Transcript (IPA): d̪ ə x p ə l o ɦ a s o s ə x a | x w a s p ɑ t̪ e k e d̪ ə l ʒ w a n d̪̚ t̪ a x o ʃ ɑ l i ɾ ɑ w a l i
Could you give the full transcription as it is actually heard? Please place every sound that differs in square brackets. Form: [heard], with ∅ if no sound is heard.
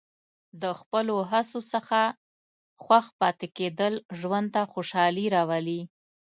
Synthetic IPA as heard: d̪ ə x p ə l o ɦ a s o s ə x a | x w a [x] p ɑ t̪ e k e d̪ ə l ʒ w a n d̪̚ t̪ a x o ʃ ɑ l i ɾ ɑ w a l i